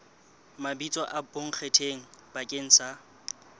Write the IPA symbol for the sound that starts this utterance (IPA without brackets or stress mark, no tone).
m